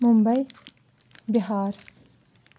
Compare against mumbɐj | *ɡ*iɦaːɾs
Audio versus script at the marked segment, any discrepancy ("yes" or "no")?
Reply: yes